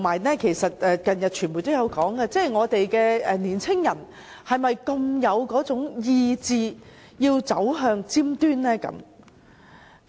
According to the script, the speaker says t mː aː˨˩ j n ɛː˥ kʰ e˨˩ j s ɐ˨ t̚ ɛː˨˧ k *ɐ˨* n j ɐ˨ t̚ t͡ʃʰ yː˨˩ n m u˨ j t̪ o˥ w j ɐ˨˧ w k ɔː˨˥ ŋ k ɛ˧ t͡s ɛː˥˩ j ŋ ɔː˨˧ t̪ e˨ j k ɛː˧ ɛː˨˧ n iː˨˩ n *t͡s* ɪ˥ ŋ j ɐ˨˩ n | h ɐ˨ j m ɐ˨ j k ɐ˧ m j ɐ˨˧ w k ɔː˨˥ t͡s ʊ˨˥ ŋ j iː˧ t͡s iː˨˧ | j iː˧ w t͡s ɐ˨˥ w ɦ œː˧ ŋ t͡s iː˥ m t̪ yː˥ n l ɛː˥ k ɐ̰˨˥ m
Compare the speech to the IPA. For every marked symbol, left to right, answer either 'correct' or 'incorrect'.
correct, incorrect: t͡sʰ

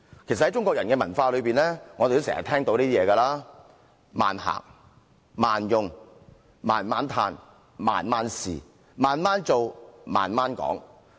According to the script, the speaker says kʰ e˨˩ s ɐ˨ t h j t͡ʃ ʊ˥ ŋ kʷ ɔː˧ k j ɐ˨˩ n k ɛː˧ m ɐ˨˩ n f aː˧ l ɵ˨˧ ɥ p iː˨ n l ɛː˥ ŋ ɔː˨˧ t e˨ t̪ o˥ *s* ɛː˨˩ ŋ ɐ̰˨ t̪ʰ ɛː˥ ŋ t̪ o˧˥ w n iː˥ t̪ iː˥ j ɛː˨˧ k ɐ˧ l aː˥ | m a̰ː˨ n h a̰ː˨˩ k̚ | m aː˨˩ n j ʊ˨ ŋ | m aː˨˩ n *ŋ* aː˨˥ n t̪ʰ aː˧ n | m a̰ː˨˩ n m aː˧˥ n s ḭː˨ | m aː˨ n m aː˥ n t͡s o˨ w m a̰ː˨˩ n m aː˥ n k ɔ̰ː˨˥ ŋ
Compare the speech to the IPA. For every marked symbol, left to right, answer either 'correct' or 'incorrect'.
correct, incorrect: m

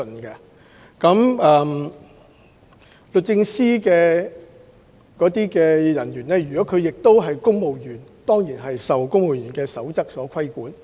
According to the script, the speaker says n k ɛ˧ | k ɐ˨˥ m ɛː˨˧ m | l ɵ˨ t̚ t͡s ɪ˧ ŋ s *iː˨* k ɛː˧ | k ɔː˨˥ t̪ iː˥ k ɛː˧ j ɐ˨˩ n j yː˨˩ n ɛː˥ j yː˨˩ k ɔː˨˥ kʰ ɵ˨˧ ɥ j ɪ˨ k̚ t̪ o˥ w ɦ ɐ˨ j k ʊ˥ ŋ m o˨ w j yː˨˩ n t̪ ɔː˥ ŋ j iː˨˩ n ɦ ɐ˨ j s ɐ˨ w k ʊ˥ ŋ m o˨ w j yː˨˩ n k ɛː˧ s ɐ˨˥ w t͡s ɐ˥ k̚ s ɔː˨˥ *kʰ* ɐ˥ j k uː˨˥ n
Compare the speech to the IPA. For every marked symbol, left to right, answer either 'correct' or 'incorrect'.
incorrect: iː˥, correct

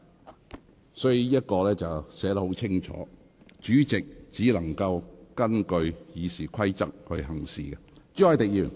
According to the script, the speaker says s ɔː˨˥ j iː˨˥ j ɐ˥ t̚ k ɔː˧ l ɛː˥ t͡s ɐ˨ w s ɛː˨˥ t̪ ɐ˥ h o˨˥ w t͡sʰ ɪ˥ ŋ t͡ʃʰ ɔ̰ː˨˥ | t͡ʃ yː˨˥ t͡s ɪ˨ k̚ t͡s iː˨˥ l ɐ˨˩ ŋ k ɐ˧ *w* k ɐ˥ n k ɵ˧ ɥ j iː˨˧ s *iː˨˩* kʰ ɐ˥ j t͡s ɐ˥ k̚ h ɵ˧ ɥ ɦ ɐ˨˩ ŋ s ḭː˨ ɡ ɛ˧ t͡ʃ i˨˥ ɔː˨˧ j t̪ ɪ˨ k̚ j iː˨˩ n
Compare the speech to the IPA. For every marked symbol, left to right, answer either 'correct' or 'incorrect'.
correct, correct

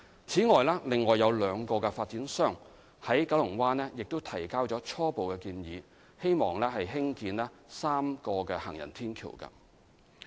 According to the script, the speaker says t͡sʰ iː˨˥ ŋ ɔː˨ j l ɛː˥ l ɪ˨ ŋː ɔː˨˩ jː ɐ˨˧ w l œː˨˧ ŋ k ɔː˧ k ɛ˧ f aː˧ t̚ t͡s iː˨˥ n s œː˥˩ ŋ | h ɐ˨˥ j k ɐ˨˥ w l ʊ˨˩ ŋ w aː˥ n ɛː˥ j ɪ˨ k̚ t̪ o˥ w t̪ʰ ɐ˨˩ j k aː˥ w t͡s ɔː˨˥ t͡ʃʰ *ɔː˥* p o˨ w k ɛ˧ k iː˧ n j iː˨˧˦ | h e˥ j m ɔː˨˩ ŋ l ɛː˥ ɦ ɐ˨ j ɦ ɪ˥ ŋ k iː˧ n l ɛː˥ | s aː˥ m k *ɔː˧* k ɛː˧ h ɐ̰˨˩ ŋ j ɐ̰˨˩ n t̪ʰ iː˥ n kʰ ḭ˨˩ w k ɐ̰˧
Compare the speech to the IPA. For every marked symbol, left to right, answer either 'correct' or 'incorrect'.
correct, correct

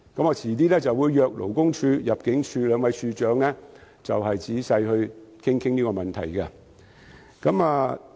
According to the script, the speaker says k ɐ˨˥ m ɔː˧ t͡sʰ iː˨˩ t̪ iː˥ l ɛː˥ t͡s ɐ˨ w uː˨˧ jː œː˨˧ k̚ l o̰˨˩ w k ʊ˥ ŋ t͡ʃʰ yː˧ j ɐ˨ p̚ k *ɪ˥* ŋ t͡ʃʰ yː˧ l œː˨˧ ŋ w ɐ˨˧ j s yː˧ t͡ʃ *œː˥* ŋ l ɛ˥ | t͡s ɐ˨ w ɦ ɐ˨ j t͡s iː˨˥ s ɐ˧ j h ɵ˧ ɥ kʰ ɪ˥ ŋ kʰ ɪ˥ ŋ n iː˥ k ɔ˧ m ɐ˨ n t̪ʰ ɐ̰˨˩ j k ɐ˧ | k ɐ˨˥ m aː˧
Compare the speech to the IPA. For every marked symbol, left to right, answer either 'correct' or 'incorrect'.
incorrect: ɪ˨˥, incorrect: œː˨˥

